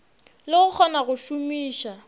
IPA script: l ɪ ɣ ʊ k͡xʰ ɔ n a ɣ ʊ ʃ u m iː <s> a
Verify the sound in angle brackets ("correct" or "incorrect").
incorrect